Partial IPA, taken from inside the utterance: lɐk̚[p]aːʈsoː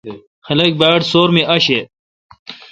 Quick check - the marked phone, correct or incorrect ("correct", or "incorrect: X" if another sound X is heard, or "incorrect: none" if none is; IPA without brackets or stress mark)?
incorrect: b